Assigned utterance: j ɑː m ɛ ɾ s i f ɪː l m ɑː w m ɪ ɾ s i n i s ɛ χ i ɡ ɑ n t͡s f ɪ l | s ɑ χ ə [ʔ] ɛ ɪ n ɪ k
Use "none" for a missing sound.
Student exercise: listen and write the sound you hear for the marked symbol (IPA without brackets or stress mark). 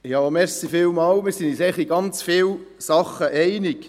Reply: ʔ